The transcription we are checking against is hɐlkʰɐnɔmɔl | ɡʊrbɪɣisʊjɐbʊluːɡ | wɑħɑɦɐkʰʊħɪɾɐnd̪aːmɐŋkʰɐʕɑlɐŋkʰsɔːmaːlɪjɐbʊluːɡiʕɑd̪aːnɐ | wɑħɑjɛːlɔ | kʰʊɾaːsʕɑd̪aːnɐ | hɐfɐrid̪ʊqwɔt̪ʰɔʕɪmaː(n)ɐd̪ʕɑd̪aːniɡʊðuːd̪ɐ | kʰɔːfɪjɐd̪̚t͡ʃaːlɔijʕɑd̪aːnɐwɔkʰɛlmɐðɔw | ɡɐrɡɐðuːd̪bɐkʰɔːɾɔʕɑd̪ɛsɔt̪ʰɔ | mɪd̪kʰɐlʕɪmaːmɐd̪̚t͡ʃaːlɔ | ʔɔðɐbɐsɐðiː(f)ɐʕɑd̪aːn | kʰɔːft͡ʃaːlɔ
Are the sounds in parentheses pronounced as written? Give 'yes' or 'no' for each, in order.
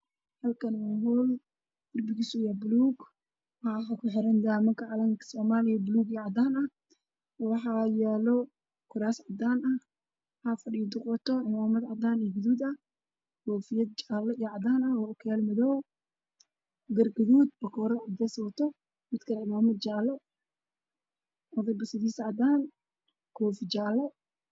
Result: no, no

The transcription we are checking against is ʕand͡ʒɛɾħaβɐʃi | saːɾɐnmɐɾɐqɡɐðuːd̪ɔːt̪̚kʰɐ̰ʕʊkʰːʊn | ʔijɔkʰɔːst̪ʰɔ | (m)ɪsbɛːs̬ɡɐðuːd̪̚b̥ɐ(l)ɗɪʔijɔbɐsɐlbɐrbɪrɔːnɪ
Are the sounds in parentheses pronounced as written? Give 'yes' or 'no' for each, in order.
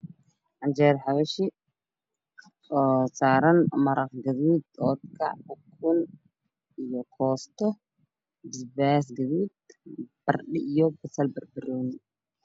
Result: no, no

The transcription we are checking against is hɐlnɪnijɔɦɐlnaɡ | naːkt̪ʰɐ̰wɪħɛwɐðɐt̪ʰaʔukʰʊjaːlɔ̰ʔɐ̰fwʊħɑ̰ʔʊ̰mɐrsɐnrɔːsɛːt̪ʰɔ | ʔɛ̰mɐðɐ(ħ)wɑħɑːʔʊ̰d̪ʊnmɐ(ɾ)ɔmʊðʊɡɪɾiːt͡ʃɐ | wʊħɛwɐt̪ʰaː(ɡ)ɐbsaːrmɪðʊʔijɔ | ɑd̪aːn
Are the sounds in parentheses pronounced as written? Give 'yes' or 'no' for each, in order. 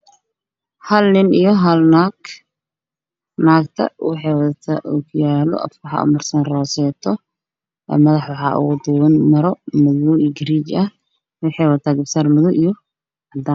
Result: yes, yes, yes

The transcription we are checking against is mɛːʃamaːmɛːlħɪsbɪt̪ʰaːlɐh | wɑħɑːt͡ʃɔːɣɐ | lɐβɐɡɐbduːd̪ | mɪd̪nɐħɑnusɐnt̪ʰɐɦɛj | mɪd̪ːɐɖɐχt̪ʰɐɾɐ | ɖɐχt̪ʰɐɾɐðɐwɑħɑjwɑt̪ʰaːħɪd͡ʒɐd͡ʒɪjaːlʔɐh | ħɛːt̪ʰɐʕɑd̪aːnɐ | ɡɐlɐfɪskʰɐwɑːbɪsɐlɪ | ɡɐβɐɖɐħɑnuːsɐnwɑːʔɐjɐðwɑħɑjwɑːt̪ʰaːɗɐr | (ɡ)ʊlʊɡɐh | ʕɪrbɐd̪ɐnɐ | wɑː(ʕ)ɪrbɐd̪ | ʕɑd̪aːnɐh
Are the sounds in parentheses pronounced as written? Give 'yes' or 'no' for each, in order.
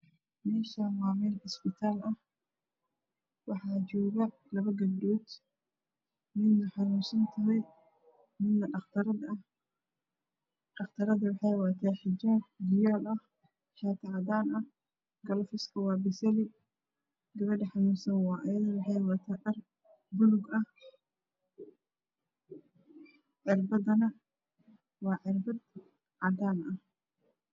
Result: no, yes

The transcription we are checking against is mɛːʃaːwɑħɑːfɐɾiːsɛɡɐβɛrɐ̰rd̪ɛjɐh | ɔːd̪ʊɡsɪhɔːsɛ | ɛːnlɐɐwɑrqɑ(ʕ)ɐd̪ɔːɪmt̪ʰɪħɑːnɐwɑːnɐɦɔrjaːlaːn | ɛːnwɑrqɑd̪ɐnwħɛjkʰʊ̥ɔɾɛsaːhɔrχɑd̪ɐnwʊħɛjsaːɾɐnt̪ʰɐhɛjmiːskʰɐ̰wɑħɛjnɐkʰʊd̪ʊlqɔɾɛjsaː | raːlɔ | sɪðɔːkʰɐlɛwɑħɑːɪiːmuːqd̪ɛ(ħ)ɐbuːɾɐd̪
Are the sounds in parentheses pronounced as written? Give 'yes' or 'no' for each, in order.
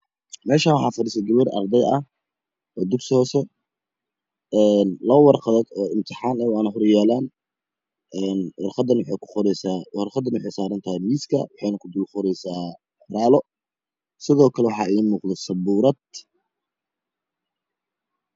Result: no, no

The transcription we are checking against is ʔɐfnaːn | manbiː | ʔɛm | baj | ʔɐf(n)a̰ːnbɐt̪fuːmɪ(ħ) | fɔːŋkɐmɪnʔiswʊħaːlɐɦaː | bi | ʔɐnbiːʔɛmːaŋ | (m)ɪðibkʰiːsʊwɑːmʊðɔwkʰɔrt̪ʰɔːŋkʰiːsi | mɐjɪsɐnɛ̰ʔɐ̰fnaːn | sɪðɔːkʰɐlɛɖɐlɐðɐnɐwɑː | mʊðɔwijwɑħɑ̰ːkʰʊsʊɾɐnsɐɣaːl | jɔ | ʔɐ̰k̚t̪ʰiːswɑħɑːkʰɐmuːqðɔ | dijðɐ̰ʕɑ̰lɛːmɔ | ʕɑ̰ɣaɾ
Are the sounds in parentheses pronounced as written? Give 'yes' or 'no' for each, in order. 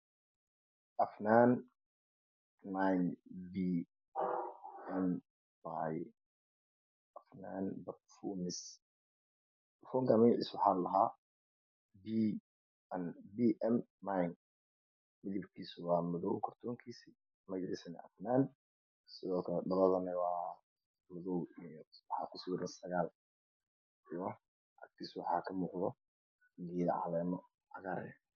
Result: yes, no, yes

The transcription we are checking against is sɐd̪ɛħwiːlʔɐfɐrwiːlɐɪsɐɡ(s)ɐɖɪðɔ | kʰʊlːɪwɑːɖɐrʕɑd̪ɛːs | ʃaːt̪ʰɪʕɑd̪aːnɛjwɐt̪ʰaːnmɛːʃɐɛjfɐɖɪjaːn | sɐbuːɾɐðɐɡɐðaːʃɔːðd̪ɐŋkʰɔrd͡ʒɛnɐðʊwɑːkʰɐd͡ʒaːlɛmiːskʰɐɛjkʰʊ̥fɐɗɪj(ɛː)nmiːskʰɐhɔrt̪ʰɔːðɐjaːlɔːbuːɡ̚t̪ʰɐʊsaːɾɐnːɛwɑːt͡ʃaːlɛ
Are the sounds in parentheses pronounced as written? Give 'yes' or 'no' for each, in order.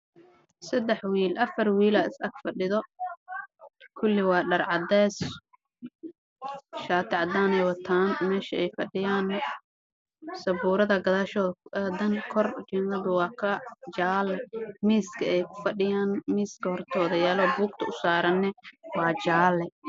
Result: no, no

